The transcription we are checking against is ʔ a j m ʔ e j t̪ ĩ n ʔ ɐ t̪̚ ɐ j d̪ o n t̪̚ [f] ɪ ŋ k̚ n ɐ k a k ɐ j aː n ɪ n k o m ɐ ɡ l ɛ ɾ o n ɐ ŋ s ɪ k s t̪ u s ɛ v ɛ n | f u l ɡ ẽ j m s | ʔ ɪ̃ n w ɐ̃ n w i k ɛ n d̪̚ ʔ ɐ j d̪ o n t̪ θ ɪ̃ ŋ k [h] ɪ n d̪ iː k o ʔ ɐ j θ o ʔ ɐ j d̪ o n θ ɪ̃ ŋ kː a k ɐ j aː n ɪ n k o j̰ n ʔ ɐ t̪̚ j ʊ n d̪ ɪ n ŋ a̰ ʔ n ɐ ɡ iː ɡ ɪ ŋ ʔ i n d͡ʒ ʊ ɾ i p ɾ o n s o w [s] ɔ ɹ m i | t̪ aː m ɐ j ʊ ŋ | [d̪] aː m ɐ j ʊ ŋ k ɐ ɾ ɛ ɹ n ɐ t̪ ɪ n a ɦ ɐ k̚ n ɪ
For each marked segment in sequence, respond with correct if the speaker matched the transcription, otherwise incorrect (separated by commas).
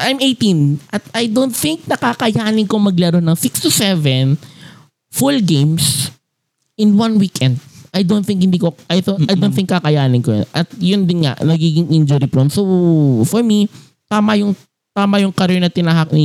incorrect, correct, incorrect, incorrect